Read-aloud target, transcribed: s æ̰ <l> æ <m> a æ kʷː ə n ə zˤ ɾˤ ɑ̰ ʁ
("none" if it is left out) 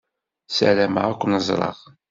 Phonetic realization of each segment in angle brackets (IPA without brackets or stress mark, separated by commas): l, m